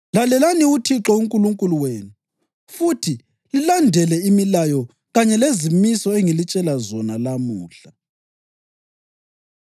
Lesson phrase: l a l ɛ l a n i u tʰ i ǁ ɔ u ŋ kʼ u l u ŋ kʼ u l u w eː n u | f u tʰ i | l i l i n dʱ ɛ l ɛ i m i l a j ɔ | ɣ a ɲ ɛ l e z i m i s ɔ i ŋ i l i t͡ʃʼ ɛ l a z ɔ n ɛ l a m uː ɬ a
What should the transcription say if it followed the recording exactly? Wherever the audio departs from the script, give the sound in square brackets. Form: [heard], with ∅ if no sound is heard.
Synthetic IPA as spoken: l a l ɛ l a n i u tʰ i ǁ ɔ u ŋ kʼ u l u ŋ kʼ u l u w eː n u | f u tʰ i | l i l [a] n dʱ ɛ l ɛ i m i l a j ɔ | ɣ a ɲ ɛ l e z i m i s ɔ [e] ŋ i l i t͡ʃʼ ɛ l a z ɔ n [a] l a m uː ɬ a